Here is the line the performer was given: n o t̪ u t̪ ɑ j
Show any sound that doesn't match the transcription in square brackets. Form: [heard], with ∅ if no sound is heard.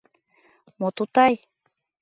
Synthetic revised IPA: [m] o t̪ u t̪ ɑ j